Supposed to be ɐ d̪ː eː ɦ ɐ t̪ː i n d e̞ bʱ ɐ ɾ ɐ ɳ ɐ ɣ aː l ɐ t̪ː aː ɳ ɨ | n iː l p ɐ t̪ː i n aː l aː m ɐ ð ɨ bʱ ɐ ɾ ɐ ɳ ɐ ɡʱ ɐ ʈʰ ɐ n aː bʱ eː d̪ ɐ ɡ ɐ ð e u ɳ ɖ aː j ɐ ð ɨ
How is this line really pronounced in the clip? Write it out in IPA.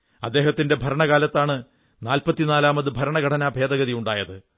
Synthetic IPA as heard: ɐ d̪ː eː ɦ ɐ t̪ː i n d e̞ bʱ ɐ ɾ ɐ ɳ ɐ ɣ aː l ɐ t̪ː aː ɳ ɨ | n aː l p ɐ t̪ː i n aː l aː m ɐ ð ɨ bʱ ɐ ɾ ɐ ɳ ɐ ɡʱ ɐ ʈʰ ɐ n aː bʱ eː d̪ ɐ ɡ ɐ ð i u ɳ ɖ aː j ɐ ð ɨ

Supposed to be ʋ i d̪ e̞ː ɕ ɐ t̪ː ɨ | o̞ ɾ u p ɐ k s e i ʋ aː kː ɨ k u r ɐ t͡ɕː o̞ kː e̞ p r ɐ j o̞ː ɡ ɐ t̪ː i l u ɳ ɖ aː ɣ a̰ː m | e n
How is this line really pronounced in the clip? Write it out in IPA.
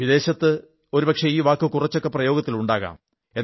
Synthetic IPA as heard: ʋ i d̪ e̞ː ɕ ɐ t̪ː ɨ | o̞ ɾ u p ɐ k ʂ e iː ʋ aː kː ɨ k u r ɐ t͡ɕː o̞ kː e̞ p r ɐ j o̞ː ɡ ɐ t̪ː i l u ɳ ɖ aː ɣ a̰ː m | e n

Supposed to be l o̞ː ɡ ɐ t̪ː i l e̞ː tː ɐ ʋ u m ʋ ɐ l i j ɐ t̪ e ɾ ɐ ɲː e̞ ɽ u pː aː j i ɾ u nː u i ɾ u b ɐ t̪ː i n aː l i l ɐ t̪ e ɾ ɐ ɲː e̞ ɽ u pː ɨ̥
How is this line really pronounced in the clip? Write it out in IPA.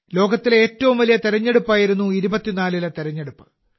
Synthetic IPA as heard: l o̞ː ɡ ɐ t̪ː i l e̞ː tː ɐ ʋ u m ʋ ɐ l i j ɐ t̪ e ɾ ɐ ɲː e̞ ɽ u pː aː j i ɾ u nː u i ɾ u b ɐ t̪ː i n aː l i l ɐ t̪ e ɾ ɐ ɲː e̞ ɽ u pː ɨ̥

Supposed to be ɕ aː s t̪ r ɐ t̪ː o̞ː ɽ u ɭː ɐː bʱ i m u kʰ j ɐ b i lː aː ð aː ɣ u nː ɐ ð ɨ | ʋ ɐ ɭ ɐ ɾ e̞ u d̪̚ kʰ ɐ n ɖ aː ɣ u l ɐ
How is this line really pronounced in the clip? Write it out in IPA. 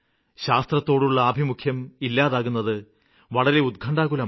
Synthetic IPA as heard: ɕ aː s t̪ r ɐ t̪ː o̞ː ɽ u ɭː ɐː bʱ i m u kʰ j ɐ m i lː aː ð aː ɣ u nː ɐ ð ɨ | ʋ ɐ ɭ ɐ ɾ e̞ u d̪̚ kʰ ɐ ɳ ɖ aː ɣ u l ɐ

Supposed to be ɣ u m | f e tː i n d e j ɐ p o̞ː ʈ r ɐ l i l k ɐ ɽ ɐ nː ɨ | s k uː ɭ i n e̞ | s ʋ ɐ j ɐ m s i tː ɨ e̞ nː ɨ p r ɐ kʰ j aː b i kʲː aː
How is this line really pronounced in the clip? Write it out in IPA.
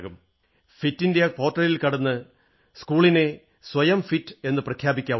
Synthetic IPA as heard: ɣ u m | f i tː i n d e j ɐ p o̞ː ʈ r ɐ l i l k ɐ ɽ ɐ nː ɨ | s k uː ɭ i n e̞ | s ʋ ɐ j ɐ m f i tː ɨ e̞ nː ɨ p r ɐ kʰ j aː b i kʲː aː

